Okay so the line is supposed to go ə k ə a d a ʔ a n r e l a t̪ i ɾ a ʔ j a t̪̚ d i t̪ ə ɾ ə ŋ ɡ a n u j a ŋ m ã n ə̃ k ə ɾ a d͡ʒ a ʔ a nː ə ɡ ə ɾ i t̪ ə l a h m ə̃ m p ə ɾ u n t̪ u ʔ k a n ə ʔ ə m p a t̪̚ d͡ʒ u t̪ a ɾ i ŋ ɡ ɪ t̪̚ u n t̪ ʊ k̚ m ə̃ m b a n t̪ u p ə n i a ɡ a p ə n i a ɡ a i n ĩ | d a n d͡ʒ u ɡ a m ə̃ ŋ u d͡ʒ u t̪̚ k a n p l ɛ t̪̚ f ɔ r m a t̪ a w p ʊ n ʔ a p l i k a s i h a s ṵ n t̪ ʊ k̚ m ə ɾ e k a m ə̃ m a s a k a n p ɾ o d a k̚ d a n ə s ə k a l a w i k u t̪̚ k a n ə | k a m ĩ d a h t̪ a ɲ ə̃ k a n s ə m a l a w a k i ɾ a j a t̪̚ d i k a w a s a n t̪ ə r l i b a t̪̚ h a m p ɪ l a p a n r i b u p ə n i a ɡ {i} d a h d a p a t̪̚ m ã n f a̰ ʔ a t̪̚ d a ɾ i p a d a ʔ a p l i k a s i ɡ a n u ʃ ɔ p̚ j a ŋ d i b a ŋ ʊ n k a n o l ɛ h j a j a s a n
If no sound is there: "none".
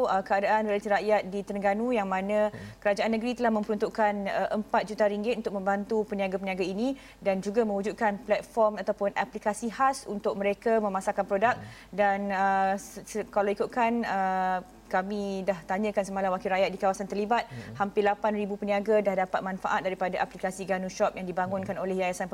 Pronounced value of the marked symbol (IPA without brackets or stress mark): a